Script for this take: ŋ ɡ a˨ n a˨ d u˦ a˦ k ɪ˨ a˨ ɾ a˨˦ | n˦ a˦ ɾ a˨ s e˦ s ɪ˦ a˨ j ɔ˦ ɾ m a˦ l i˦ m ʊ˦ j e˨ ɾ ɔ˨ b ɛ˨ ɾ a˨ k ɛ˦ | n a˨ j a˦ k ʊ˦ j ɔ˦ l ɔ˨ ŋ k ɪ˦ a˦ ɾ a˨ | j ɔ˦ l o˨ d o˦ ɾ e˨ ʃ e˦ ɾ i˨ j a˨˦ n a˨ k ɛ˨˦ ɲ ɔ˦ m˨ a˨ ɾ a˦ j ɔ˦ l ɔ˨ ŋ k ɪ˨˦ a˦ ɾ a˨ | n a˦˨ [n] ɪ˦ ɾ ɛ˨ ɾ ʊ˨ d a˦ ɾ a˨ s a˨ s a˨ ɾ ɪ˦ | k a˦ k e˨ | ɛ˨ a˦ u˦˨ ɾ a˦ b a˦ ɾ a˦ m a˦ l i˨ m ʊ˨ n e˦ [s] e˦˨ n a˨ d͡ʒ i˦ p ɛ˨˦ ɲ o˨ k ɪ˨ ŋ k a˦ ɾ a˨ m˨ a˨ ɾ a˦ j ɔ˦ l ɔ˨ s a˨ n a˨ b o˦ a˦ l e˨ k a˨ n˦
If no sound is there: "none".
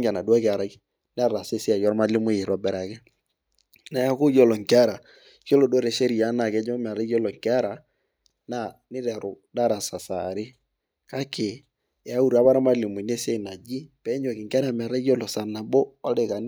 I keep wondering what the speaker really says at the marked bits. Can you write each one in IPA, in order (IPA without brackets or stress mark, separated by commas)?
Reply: n, s